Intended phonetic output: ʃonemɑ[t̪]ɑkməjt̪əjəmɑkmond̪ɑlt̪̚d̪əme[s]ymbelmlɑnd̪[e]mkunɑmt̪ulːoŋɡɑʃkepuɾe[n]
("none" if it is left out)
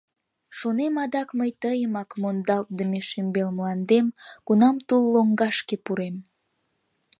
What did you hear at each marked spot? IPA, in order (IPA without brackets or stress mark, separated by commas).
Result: d̪, ʃ, e, m